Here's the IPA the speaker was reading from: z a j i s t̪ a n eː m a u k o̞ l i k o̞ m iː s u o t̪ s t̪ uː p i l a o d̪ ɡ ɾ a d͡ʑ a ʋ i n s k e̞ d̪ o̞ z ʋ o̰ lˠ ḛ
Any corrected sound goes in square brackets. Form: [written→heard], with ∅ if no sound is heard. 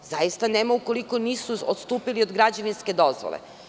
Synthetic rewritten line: z a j i s t̪ a n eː m a u k o̞ l i k o̞ [m→n] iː s u o t̪ s t̪ uː p i l [a→i] o d̪ ɡ ɾ a d͡ʑ a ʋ i n s k e̞ d̪ o̞ z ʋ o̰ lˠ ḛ